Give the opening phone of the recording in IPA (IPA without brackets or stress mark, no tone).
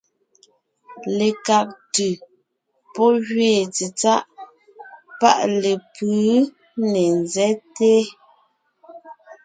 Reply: l